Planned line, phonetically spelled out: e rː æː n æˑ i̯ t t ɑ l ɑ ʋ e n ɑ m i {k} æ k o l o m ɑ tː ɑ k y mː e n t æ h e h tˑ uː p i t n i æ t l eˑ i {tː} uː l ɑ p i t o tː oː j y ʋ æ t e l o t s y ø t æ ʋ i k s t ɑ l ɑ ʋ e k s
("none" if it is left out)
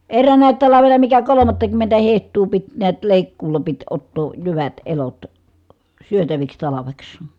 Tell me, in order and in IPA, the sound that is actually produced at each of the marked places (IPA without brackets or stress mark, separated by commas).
k, kː